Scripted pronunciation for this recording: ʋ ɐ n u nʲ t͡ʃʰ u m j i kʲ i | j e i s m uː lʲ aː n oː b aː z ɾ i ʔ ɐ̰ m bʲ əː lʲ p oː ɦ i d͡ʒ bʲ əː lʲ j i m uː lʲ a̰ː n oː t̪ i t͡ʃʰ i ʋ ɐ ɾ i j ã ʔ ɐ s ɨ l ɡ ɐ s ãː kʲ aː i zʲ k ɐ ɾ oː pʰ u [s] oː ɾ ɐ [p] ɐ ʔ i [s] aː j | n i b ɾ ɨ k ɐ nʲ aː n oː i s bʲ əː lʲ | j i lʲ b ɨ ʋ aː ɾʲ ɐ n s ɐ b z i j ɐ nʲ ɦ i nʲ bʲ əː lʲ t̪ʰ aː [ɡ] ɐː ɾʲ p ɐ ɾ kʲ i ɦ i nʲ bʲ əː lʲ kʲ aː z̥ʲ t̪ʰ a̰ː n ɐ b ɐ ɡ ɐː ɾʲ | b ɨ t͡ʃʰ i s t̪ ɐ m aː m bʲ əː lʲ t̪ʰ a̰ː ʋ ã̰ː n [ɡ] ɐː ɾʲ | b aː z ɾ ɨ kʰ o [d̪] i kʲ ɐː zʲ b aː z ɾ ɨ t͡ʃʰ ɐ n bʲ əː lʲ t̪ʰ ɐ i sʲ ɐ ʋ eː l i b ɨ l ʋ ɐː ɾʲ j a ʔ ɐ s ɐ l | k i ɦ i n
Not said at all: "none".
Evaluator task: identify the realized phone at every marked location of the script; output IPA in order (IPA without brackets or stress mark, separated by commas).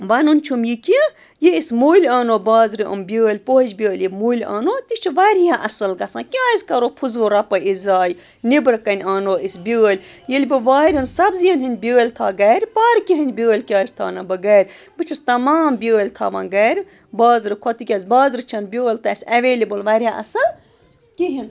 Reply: z, p, z, ɡ, ɡ, t̪